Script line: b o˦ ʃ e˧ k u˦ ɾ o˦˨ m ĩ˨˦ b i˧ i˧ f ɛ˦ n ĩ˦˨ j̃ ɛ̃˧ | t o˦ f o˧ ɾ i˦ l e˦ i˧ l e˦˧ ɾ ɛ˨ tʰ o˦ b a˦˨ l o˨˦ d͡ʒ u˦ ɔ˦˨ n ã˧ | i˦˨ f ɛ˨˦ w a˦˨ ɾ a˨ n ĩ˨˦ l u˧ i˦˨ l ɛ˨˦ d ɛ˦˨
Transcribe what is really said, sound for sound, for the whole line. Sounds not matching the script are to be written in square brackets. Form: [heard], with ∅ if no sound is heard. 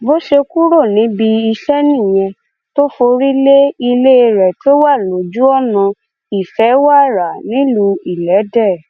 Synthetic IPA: b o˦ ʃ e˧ k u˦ ɾ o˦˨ [n] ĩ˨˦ b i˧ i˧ [ʃ] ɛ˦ n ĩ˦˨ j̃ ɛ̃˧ | t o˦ f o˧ ɾ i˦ l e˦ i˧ l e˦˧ ɾ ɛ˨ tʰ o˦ [w] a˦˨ l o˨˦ d͡ʒ u˦ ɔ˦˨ n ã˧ | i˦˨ f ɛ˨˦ w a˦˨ ɾ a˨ n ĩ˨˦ l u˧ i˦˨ l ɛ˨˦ d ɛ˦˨